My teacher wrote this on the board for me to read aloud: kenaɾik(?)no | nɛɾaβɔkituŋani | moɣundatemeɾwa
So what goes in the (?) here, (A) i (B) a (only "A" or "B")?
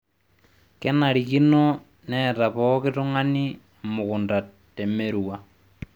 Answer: A